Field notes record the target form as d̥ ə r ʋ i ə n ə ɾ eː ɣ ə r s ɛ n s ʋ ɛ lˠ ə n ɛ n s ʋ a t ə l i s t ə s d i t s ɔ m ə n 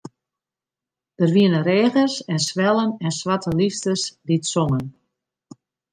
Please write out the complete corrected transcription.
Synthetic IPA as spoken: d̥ ə r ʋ i ə n ə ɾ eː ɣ ə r s ɛ n s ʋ ɛ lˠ ə n ɛ n s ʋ a t ə l i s t ə s d i t s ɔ ŋ ə n